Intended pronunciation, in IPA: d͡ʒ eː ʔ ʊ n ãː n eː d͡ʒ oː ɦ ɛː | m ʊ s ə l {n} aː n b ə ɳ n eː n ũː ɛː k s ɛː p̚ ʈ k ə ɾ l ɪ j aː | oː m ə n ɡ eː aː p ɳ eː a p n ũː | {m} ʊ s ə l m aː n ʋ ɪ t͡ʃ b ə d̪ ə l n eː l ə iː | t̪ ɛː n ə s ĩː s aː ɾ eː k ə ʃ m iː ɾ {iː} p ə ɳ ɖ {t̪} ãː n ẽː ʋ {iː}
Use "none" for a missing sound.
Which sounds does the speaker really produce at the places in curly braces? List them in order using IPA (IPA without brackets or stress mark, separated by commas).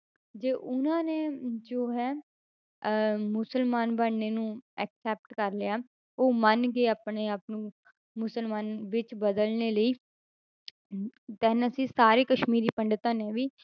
m, m, iː, t̪, iː